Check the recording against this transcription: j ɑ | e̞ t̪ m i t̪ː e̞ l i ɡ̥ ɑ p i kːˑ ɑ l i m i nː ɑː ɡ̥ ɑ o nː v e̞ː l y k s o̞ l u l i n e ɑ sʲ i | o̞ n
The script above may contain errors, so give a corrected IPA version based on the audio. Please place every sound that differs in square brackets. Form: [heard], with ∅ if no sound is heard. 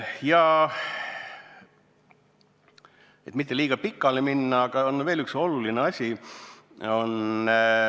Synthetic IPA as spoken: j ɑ | e̞ t̪ m i t̪ː e̞ l [iː] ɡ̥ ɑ p i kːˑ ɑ l [e] m i nː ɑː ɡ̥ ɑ o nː v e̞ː l y k s o̞ l u l i n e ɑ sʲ i | o̞ n